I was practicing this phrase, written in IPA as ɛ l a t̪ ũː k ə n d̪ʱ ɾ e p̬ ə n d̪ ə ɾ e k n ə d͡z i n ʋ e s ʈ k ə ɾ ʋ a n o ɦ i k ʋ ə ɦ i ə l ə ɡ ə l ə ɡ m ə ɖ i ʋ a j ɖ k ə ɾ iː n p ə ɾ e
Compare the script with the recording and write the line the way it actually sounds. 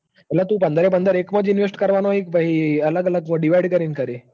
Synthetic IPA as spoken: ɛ l a t̪ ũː p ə n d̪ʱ ɾ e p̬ ə n d̪ ə ɾ e k m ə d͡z i n ʋ e s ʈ k ə ɾ ʋ a n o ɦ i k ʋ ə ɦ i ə l ə ɡ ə l ə ɡ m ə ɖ i ʋ a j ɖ k ə ɾ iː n k ə ɾ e